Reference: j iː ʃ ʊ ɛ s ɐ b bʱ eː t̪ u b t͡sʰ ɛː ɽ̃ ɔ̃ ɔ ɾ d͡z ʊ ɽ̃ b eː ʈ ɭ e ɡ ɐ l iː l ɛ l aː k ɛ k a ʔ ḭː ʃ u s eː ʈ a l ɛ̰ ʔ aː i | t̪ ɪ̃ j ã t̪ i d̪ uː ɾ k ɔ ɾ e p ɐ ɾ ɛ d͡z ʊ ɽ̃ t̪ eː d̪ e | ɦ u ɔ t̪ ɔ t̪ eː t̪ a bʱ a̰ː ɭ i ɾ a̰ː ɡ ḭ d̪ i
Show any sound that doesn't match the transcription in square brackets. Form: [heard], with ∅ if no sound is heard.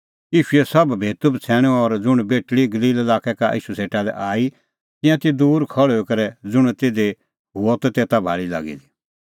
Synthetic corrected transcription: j iː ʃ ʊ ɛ s ɐ b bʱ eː t̪ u b t͡sʰ ɛː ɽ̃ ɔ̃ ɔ ɾ d͡z ʊ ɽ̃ b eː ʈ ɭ [i] ɡ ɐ l iː l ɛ l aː k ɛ k a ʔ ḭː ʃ u s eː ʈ a l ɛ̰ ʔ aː i | t̪ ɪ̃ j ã t̪ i d̪ uː ɾ [kʰ] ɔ [ɭ] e [k] ɐ ɾ ɛ d͡z ʊ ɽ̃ t̪ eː d̪ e | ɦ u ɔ t̪ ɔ t̪ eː t̪ a bʱ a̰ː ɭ i [l] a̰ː ɡ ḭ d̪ i